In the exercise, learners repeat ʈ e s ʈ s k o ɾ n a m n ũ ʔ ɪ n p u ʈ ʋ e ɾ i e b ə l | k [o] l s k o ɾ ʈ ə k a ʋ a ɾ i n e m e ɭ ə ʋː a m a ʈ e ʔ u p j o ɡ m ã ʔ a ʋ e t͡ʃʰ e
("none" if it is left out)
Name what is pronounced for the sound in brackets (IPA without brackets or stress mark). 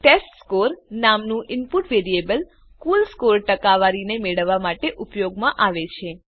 u